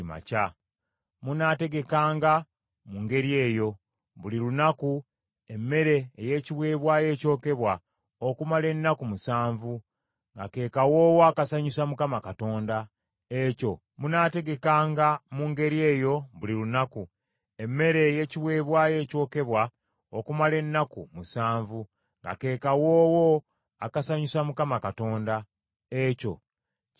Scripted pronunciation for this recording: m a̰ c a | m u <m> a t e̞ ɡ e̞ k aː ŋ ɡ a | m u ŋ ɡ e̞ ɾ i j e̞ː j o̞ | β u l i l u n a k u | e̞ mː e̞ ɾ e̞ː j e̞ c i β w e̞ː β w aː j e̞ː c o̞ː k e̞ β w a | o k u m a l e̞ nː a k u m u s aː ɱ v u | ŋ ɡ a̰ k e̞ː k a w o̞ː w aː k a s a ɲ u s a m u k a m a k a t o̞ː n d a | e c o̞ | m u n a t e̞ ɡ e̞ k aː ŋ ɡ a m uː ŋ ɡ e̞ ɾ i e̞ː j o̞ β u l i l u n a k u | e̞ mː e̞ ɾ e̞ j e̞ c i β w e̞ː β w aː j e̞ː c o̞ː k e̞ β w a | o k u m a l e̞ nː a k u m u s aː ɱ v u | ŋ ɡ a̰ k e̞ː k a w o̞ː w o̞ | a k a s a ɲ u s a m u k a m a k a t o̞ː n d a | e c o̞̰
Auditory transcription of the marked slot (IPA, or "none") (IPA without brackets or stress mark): n